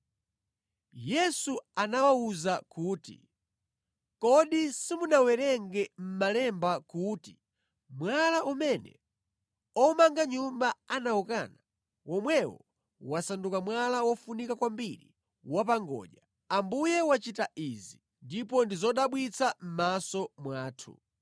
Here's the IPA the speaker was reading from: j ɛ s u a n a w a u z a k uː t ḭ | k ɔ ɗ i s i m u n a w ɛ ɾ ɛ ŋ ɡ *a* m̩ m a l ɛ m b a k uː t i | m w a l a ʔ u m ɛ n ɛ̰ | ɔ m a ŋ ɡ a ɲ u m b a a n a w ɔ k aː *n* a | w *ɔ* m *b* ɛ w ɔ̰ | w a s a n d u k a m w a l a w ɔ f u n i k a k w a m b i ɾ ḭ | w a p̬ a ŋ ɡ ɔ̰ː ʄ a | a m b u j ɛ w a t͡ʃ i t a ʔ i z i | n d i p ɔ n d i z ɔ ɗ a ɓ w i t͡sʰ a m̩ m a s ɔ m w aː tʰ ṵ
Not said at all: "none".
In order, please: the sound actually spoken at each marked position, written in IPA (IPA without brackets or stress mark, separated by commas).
ɛ, n, ɔ, w